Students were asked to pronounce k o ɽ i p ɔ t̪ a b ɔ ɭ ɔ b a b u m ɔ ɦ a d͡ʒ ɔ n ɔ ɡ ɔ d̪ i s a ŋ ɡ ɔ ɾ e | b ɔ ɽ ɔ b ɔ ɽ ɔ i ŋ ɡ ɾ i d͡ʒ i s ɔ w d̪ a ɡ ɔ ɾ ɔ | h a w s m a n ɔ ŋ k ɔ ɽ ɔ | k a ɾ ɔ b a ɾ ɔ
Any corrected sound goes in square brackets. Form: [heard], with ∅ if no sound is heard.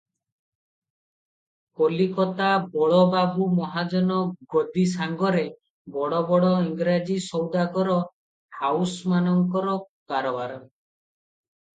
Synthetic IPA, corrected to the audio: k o [l] i [k] ɔ t̪ a b ɔ ɭ ɔ b a b u m ɔ ɦ a d͡ʒ ɔ n ɔ ɡ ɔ d̪ i s a ŋ ɡ ɔ ɾ e | b ɔ ɽ ɔ b ɔ ɽ ɔ i ŋ ɡ ɾ [a] d͡ʒ i s ɔ w d̪ a ɡ ɔ ɾ ɔ | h a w s m a n ɔ ŋ k ɔ [ɾ] ɔ | k a ɾ ɔ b a ɾ ɔ